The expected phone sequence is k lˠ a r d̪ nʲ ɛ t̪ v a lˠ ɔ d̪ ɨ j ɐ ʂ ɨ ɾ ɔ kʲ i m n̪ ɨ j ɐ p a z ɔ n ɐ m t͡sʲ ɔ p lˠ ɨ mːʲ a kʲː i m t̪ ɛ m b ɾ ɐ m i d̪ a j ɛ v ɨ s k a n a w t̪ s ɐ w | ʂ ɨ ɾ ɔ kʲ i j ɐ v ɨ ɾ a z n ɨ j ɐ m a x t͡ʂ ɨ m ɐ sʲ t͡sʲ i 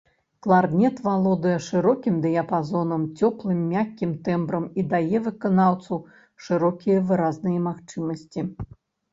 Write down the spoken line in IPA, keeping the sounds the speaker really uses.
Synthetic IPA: k lˠ a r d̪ nʲ ɛ t̪ v a lˠ ɔ d̪ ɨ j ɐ ʂ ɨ ɾ ɔ kʲ i m d̪ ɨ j ɐ p a z ɔ n ɐ m t͡sʲ ɔ p lˠ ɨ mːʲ a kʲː i m t̪ ɛ m b ɾ ɐ m i d̪ a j ɛ v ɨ k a n a w t̪ s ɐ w | ʂ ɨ ɾ ɔ kʲ i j ɐ v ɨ ɾ a z n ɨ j ɐ m a x t͡ʂ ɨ m ɐ sʲ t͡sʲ i

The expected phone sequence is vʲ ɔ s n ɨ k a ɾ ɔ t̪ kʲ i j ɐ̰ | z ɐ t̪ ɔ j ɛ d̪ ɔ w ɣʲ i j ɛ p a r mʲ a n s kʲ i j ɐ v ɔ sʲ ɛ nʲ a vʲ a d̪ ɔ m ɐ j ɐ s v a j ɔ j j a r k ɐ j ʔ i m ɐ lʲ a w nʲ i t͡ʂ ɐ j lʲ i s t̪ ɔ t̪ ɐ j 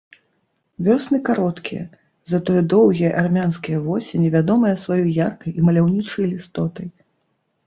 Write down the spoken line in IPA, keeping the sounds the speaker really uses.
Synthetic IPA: vʲ ɔ s n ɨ k a ɾ ɔ t̪ kʲ i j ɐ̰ | z ɐ t̪ ɔ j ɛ d̪ ɔ w ɣʲ i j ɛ ʔ a r mʲ a n s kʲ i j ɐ v ɔ sʲ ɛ nʲ ɛ vʲ a d̪ ɔ m ɐ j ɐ s v a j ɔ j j a r k ɐ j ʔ i m ɐ lʲ a w nʲ i t͡ʂ ɐ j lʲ i s t̪ ɔ t̪ ɐ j

